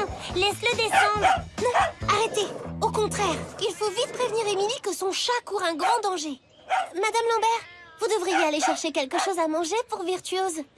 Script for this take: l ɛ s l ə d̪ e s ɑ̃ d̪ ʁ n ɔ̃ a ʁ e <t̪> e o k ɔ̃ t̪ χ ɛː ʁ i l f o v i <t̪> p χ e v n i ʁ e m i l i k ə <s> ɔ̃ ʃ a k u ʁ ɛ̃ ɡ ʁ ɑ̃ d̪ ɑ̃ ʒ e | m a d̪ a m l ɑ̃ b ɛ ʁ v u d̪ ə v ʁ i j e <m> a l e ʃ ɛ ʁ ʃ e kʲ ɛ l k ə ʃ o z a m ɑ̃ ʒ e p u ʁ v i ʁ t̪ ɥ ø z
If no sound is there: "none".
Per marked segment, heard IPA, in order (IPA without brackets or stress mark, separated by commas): t̪, t̪, s, none